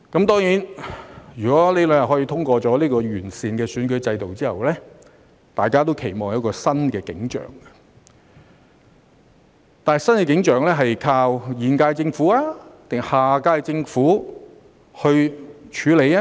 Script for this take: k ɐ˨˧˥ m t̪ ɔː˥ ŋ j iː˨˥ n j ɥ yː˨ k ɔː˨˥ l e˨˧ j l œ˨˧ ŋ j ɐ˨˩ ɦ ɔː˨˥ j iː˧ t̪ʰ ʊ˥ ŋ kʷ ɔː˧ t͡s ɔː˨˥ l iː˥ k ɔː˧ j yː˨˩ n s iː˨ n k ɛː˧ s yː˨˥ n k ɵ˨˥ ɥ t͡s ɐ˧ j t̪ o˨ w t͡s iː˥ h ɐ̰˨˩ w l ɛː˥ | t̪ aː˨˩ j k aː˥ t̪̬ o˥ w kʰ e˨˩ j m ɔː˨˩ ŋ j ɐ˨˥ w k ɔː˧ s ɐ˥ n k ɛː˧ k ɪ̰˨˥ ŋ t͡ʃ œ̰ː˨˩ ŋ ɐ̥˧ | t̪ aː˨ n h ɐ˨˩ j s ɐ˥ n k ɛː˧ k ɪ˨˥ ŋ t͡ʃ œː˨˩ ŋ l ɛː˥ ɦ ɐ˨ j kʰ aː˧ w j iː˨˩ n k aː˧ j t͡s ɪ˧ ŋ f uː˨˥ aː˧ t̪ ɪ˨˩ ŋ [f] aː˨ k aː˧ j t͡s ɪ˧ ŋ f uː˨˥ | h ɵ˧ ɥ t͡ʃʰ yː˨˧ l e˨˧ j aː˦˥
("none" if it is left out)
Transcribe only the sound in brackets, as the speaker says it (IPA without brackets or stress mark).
h